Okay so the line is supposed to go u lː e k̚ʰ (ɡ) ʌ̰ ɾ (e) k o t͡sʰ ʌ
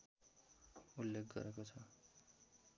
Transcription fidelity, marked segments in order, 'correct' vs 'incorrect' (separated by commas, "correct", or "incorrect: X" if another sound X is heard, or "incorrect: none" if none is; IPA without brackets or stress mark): correct, correct